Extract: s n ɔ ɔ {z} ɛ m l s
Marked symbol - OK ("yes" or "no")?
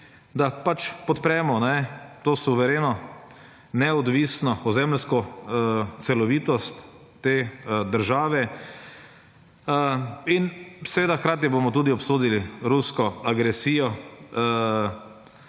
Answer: yes